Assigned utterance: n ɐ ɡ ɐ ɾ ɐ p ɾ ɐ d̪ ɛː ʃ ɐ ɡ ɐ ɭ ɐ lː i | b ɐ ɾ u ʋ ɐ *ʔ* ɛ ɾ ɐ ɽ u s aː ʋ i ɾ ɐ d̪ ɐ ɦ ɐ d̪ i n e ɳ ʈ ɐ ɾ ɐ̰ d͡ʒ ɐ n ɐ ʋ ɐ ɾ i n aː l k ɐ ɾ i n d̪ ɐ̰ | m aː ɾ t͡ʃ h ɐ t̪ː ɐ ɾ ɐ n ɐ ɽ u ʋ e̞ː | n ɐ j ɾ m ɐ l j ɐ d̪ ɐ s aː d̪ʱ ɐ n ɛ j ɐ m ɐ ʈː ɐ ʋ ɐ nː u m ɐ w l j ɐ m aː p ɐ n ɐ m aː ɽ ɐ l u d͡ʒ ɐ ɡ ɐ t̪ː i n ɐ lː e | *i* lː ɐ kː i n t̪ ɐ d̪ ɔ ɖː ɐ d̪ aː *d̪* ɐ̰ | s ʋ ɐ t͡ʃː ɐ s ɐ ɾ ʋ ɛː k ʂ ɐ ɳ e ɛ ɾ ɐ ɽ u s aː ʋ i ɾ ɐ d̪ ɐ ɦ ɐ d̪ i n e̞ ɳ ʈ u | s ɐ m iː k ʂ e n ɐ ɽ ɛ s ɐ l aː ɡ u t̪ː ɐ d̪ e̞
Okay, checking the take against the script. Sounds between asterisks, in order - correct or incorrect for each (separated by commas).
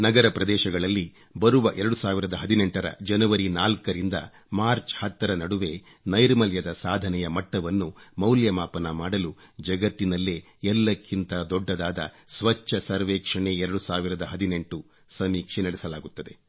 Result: correct, incorrect, correct